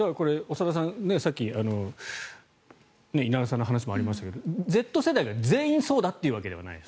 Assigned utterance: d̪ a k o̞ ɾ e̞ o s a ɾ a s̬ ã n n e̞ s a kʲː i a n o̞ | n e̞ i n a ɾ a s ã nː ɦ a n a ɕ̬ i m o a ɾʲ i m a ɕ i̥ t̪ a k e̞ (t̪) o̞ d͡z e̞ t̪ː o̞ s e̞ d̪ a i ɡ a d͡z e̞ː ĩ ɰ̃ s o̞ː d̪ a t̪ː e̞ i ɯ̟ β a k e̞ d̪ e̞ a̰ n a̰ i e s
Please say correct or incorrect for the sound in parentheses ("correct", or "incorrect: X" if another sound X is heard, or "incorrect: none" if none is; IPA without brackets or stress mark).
incorrect: d̪